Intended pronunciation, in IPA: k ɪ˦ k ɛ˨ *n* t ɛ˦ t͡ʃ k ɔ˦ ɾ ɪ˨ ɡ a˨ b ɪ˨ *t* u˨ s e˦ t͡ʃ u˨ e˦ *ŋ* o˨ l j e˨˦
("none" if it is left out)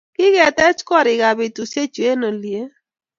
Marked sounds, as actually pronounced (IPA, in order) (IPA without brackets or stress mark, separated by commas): none, t, n